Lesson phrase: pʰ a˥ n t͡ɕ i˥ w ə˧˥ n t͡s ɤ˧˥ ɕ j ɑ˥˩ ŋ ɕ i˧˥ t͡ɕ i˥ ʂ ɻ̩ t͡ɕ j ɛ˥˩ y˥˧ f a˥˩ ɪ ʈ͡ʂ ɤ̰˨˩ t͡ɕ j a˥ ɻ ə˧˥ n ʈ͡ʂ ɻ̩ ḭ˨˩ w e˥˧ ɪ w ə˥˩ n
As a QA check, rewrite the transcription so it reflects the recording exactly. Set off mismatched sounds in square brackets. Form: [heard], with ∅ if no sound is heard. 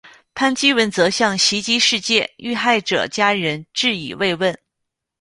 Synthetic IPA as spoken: pʰ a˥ n t͡ɕ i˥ w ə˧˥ n t͡s ɤ˧˥ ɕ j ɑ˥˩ ŋ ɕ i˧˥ t͡ɕ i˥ ʂ ɻ̩ t͡ɕ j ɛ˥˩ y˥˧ [x] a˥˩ ɪ ʈ͡ʂ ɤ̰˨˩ t͡ɕ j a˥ ɻ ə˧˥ n ʈ͡ʂ ɻ̩ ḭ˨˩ w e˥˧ ɪ w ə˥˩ n